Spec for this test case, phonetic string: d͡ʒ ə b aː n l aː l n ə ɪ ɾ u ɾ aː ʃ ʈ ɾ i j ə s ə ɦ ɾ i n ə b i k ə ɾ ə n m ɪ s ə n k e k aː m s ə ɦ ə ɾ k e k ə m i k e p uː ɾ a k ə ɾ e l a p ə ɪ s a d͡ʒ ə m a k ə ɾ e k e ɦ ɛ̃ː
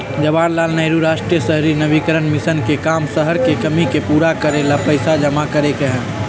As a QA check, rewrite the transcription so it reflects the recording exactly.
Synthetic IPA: d͡ʒ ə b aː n l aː l n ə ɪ ɾ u ɾ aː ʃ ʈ ɾ i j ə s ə ɦ ɾ i n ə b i k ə ɾ ə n m ɪ s ə n k e k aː m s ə ɦ ə ɾ k e k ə m i k e p uː ɾ a k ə ɾ e l a p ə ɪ s a d͡ʒ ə m a k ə ɾ e k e ɦ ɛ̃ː